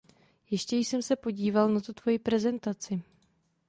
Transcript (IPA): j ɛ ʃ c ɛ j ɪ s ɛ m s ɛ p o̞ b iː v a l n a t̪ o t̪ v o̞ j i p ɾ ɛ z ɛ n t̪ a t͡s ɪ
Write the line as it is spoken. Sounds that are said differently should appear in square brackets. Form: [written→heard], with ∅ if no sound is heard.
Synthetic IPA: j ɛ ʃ c ɛ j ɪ s ɛ m s ɛ p o̞ [b→ɟ] iː v a l n a t̪ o t̪ v o̞ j i p ɾ ɛ z ɛ n t̪ a t͡s ɪ